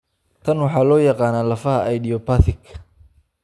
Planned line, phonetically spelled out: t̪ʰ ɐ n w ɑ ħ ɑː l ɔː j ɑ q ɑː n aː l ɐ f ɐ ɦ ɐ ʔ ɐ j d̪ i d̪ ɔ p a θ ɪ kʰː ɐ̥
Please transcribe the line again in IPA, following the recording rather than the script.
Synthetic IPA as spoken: t̪ʰ ɐ n w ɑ ħ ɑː l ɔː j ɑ q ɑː n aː l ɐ f ɐ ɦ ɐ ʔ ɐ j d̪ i ɔ p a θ ɪ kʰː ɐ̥